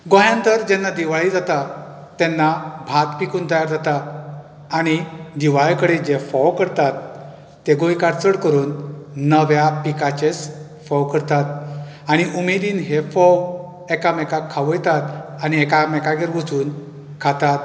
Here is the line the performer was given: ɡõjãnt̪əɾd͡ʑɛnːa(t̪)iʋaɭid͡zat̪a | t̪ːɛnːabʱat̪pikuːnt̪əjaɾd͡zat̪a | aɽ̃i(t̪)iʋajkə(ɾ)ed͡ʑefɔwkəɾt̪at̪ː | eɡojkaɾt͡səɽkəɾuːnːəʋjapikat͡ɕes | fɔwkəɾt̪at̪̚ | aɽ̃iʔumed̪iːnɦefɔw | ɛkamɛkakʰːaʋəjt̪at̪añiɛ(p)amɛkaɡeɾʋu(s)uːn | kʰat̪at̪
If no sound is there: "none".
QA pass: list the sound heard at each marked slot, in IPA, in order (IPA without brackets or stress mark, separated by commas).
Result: d̪, d̪, ɽ, k, t͡s